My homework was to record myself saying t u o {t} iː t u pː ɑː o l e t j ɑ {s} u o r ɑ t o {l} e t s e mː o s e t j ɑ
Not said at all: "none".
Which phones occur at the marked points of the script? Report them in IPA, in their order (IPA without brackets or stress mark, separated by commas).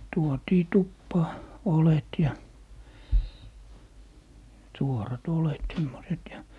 t, s, l